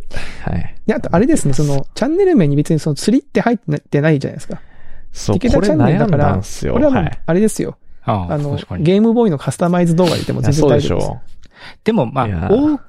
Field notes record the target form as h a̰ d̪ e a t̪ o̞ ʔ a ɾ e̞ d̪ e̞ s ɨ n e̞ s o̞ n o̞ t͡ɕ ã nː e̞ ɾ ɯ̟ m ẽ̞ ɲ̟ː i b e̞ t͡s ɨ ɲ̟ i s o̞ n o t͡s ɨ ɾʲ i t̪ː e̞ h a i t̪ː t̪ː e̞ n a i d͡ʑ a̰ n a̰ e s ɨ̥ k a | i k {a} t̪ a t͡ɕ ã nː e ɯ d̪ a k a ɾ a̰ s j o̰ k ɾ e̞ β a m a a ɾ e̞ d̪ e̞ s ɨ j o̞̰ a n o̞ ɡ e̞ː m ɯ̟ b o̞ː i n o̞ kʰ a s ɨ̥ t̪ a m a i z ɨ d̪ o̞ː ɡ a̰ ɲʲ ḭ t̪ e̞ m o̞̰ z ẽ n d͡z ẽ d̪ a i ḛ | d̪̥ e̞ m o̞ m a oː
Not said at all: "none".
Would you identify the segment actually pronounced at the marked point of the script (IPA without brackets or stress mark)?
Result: e